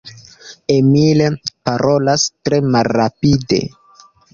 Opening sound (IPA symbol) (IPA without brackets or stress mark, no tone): e